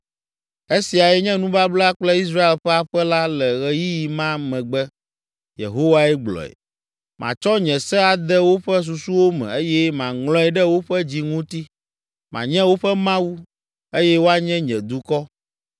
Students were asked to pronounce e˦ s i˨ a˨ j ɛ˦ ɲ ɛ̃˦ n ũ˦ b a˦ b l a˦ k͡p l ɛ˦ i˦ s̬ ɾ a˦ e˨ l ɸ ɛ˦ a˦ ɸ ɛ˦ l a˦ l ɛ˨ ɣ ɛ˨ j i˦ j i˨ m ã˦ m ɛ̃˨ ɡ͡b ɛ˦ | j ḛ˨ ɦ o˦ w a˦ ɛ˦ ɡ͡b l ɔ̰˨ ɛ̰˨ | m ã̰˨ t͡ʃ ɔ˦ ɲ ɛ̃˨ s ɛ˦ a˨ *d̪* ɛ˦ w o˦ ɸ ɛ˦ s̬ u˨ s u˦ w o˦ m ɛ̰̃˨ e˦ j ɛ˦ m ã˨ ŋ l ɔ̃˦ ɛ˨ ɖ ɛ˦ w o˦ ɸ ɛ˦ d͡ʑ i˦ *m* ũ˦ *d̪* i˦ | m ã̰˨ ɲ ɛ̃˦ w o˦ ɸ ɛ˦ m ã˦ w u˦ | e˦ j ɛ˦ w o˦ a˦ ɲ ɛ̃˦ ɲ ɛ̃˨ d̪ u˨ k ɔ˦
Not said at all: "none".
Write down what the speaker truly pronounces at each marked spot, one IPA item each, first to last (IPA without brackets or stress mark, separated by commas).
d̪, ŋ, t̪